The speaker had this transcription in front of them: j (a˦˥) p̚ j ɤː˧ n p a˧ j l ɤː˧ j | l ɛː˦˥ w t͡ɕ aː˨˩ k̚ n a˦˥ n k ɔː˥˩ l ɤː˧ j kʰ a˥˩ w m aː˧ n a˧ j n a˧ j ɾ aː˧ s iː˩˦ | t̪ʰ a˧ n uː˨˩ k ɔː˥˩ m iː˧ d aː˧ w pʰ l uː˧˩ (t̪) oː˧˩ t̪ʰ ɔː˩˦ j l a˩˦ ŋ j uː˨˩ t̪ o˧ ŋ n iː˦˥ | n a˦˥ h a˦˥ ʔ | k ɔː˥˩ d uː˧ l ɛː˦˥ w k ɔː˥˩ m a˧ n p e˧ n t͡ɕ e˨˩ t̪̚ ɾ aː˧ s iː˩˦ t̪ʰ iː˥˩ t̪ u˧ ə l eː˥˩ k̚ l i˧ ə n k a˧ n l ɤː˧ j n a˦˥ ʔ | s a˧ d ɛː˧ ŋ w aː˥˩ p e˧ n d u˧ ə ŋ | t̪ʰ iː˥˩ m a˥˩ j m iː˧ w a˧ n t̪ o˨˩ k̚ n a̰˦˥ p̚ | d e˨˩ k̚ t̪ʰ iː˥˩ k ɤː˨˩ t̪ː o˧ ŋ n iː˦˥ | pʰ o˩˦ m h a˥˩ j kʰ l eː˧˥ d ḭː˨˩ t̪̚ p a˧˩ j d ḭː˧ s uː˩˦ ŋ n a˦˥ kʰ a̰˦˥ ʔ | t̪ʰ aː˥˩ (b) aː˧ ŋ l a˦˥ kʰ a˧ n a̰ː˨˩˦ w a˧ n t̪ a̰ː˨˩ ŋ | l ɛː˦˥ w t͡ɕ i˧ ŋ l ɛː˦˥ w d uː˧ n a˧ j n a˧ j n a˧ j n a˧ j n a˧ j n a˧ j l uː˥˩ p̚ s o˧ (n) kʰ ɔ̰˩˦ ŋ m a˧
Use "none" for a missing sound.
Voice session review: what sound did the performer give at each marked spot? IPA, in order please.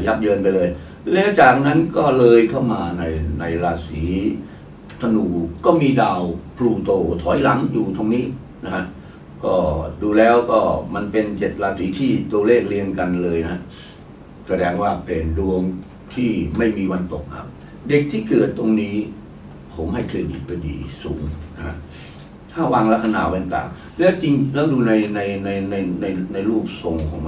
a˦˥, t̪, w, ŋ

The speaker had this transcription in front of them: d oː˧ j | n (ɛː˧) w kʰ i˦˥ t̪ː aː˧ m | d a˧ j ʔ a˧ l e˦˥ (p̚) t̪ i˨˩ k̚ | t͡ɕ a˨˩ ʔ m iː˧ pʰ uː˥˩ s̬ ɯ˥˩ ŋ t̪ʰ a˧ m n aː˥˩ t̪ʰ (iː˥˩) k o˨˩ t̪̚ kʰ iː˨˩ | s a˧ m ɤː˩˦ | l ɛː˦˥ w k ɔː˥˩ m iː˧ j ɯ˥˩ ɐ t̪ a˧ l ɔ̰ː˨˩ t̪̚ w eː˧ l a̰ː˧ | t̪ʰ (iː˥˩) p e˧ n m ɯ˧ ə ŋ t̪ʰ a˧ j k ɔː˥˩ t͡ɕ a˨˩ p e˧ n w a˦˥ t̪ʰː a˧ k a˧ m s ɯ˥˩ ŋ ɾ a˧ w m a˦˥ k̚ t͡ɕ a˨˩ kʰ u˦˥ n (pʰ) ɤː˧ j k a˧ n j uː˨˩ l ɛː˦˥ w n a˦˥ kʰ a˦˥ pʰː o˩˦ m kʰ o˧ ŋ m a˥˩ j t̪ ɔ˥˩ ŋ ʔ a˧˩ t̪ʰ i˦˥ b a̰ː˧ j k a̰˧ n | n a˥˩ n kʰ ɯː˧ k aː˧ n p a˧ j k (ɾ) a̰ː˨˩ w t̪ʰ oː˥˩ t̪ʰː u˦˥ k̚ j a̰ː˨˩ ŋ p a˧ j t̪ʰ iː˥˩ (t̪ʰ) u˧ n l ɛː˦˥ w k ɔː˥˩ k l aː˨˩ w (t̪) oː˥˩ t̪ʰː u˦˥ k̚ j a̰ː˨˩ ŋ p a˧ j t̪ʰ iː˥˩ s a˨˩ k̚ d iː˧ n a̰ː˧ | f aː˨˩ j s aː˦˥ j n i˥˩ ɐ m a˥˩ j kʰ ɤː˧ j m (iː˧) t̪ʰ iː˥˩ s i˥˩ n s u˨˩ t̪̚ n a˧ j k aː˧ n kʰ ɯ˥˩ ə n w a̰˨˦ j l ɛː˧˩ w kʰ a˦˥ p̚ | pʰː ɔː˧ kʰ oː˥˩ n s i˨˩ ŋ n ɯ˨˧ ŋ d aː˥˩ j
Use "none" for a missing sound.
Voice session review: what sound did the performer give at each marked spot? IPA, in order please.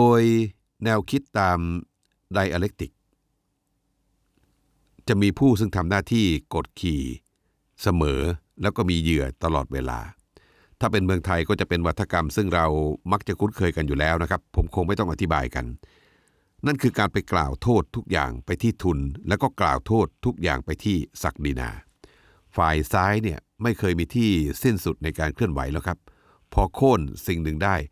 ɛː˧, k̚, iː˥˩, aː˥˩, kʰ, l, t̪ʰ, t̪ʰ, iː˧

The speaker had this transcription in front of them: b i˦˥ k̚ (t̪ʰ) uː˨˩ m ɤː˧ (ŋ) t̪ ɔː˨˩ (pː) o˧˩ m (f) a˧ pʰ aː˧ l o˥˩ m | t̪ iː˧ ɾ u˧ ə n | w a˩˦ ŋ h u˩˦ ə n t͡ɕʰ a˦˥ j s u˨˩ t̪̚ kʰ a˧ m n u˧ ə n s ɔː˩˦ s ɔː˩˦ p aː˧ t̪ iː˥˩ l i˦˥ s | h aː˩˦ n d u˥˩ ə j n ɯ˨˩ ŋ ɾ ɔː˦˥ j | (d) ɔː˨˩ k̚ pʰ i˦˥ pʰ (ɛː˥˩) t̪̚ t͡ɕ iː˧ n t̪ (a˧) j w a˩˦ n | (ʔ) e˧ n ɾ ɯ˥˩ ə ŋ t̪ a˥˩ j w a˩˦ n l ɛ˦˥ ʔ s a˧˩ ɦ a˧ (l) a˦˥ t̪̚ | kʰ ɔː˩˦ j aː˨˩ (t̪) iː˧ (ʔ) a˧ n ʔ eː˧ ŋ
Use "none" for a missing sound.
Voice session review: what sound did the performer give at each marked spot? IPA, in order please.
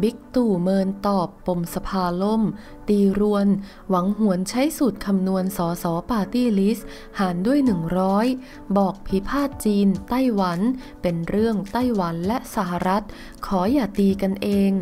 t̪, n, pː, s, b, aː˥˩, a˥˩, p, ɾ, t̪, k

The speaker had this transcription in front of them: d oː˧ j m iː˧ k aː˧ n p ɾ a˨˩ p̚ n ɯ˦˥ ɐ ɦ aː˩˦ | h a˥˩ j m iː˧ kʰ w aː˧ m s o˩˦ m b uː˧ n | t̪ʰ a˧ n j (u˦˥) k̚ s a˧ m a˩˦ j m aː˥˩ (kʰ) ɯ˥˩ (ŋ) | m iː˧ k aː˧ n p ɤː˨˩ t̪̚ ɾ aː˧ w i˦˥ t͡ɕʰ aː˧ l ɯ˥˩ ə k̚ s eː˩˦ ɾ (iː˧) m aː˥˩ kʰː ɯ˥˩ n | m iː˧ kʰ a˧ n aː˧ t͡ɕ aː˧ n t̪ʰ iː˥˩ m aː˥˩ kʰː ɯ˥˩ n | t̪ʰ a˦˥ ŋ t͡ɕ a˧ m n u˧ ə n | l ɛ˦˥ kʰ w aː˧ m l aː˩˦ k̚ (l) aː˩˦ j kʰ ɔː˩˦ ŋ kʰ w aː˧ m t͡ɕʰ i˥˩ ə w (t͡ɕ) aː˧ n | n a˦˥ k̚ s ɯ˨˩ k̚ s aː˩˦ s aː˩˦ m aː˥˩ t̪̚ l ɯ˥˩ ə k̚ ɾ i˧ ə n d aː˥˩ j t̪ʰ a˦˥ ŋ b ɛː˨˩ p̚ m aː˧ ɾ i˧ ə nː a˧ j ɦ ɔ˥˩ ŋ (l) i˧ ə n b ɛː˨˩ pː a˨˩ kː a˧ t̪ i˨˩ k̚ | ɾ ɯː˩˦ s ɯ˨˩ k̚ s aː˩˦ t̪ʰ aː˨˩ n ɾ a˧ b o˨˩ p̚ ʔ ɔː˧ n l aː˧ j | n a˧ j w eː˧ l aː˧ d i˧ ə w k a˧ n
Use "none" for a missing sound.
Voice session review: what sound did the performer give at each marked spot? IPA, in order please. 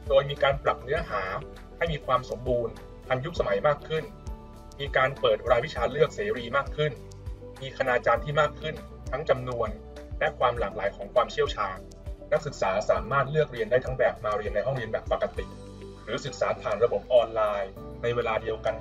u˦˥, kʰ, n, iː˧, l, t͡ɕʰ, ɾ

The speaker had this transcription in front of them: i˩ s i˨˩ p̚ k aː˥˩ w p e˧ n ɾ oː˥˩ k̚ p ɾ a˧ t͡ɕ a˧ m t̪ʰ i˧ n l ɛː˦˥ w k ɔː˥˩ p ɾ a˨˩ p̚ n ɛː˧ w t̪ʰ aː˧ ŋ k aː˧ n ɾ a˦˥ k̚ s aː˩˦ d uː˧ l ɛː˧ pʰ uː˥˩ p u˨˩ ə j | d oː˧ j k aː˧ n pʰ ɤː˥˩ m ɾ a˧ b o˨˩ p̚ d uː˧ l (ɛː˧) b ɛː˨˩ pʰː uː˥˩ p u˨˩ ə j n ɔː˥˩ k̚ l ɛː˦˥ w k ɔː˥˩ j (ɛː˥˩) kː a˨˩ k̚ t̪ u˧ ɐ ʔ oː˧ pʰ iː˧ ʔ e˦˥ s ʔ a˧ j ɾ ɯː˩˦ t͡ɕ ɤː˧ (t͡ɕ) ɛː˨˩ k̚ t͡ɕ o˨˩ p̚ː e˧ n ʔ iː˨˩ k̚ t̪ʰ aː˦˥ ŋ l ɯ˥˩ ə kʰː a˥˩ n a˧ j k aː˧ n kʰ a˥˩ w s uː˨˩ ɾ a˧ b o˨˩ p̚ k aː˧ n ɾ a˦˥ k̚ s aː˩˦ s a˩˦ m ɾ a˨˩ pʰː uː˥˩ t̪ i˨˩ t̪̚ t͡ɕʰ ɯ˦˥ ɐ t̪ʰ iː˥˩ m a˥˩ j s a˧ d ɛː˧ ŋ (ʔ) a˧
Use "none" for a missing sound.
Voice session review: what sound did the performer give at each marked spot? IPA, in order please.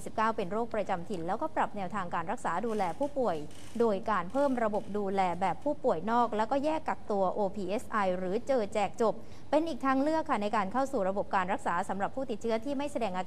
ɛː˧, ɛː˥˩, t͡ɕ, ʔ

